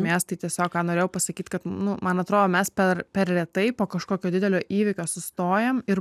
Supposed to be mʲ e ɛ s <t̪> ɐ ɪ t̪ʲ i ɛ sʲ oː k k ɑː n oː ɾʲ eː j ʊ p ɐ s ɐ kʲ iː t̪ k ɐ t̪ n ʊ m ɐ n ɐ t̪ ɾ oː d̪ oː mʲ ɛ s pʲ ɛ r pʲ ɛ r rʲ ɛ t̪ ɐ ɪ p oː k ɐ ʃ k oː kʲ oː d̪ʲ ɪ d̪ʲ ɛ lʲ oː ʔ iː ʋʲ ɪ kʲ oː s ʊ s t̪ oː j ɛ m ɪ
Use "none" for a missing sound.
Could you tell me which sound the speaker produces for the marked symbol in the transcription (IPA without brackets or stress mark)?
t̪